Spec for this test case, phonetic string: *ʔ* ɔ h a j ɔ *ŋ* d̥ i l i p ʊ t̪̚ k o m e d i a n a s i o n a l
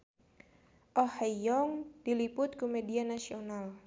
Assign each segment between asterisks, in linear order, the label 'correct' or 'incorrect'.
correct, correct

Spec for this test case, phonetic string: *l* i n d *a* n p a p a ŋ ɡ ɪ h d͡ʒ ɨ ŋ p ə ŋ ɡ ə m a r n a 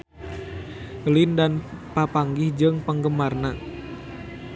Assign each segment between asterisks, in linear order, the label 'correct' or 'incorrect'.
correct, correct

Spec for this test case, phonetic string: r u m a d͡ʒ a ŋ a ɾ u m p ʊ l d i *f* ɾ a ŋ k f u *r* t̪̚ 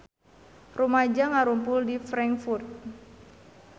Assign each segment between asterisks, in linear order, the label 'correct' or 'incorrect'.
correct, correct

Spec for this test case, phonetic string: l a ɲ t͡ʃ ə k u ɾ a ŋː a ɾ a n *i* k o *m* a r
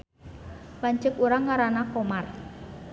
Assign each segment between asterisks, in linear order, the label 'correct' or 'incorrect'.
incorrect, correct

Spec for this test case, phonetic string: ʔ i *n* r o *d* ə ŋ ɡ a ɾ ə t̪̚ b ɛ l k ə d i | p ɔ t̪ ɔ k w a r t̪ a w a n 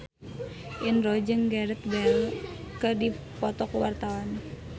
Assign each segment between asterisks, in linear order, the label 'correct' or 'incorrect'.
correct, incorrect

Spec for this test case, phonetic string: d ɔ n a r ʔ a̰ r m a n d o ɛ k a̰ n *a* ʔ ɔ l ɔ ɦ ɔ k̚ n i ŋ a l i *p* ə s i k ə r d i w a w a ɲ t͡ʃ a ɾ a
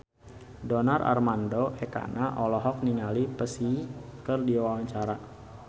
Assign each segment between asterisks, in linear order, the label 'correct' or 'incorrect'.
correct, correct

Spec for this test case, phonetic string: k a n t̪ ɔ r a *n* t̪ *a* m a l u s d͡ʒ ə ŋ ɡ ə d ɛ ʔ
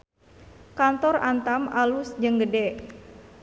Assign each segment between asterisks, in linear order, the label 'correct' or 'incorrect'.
correct, correct

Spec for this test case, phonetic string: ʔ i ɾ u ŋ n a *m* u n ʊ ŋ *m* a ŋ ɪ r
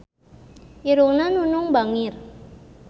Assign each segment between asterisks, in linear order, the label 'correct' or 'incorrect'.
incorrect, incorrect

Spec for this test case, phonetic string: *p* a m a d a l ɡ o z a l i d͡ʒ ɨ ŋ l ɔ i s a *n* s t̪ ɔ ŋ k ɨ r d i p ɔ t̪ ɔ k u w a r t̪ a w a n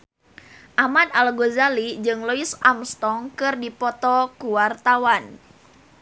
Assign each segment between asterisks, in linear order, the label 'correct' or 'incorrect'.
incorrect, incorrect

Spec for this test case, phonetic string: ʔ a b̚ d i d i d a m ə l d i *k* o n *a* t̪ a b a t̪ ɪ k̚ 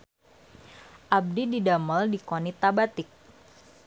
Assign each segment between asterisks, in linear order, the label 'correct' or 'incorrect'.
correct, incorrect

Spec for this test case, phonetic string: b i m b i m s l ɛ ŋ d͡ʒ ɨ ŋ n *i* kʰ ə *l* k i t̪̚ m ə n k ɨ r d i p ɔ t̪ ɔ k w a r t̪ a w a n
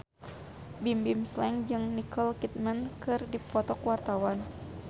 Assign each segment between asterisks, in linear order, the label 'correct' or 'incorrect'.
correct, correct

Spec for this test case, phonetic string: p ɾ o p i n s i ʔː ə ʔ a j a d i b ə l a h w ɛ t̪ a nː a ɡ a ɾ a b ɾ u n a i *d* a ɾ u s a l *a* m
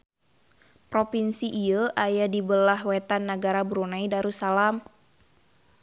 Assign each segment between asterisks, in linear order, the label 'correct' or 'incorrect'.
correct, correct

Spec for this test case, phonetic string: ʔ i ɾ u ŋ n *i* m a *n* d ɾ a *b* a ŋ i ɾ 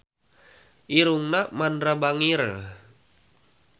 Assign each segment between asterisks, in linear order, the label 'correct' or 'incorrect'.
incorrect, correct, correct

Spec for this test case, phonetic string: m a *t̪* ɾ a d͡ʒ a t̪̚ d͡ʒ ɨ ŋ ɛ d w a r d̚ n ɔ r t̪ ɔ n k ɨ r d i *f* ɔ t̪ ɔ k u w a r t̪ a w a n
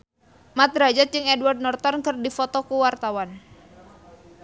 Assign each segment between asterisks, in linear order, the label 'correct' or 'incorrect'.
correct, correct

